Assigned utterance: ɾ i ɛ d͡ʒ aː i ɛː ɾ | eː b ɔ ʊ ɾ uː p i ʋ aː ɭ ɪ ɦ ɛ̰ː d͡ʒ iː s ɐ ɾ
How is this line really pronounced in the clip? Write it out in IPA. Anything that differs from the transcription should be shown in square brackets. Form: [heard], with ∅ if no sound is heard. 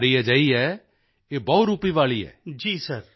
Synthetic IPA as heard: ɾ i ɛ d͡ʒ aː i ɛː [∅] | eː b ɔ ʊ ɾ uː p i ʋ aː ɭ [i] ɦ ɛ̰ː d͡ʒ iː s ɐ ɾ